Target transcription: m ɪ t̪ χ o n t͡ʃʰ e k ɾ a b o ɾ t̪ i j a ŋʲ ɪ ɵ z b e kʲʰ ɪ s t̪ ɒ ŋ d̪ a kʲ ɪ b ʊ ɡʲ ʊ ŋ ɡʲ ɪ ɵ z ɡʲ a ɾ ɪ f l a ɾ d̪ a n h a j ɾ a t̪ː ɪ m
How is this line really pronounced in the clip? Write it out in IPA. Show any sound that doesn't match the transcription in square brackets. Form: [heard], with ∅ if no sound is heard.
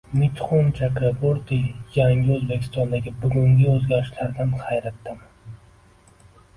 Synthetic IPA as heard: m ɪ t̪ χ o n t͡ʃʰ [a] k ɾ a b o ɾ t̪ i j a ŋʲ ɪ ɵ z b e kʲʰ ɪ s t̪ ɒ [n] d̪ a [ɡʲ] ɪ b ʊ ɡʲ ʊ ŋ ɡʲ ɪ ɵ z ɡʲ a ɾ ɪ [ʃ] l a ɾ d̪ a n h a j ɾ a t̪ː ɪ m